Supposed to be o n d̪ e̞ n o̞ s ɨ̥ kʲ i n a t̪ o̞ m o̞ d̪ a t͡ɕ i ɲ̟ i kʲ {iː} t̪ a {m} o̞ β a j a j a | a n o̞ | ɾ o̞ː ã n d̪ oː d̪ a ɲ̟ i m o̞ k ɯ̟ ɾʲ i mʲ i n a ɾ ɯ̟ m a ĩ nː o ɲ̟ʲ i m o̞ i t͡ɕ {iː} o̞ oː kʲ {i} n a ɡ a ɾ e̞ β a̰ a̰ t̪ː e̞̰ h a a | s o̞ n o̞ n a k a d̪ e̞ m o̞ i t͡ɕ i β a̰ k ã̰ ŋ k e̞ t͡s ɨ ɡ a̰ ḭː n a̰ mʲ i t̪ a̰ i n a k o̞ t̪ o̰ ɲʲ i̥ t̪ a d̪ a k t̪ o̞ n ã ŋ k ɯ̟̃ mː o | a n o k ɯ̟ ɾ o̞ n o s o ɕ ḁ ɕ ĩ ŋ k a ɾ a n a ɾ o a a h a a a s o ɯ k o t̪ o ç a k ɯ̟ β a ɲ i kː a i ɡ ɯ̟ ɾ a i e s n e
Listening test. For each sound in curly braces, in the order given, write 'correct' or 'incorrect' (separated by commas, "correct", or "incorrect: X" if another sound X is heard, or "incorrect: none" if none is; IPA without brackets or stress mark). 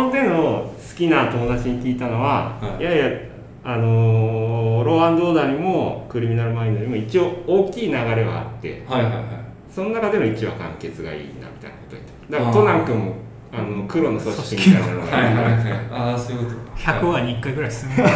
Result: correct, incorrect: n, incorrect: i, incorrect: iː